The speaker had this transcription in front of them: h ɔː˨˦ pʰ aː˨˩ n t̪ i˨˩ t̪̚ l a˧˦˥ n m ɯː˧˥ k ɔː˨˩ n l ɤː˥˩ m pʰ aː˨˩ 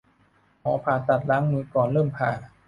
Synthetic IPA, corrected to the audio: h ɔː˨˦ pʰ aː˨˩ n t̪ a˨˩ t̪̚ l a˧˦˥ ŋ m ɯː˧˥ k ɔː˨˩ n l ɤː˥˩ m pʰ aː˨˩